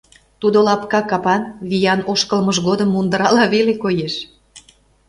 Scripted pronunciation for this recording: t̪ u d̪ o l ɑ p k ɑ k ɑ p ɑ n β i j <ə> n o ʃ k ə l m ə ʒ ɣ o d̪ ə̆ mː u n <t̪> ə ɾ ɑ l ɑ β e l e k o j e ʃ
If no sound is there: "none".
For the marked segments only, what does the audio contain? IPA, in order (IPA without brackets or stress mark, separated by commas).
ɑ, d̪